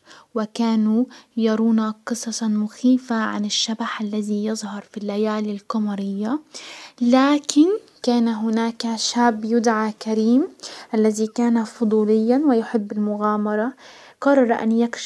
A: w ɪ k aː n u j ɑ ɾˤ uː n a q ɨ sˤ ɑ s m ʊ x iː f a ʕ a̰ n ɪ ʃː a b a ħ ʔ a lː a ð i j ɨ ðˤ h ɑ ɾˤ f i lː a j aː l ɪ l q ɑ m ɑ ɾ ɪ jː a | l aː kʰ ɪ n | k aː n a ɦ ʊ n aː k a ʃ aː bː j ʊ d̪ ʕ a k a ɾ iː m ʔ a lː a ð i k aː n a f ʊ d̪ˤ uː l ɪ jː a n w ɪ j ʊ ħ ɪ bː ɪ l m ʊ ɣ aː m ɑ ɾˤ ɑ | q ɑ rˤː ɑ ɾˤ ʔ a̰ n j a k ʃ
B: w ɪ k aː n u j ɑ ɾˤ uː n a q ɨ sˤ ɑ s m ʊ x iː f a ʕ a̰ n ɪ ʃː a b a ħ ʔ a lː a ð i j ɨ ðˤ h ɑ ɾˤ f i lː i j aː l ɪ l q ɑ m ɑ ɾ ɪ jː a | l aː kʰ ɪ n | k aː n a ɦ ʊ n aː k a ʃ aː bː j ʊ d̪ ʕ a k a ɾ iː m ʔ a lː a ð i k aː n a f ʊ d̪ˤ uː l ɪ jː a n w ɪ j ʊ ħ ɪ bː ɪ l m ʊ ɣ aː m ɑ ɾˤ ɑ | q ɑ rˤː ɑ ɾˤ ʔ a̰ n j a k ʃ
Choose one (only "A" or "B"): A